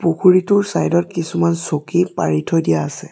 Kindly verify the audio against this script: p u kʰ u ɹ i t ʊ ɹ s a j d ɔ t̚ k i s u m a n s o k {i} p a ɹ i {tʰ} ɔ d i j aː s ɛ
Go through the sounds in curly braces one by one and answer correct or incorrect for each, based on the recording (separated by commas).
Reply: correct, correct